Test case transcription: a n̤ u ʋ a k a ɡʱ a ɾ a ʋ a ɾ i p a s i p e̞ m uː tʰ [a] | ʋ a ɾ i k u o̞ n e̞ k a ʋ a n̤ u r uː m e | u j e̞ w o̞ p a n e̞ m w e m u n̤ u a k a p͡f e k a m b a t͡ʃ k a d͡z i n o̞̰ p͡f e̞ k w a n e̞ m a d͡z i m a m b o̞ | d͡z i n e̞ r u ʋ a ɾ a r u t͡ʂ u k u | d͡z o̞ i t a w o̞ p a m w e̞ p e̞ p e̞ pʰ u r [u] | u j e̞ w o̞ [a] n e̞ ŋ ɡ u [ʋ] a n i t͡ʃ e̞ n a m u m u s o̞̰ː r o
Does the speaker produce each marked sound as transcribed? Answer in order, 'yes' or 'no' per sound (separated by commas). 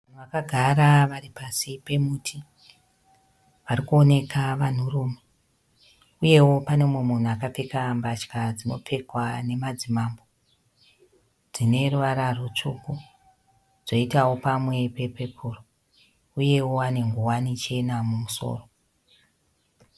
no, no, yes, no